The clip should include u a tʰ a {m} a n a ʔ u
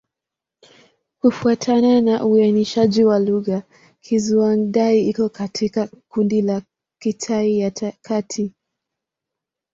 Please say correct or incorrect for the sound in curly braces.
incorrect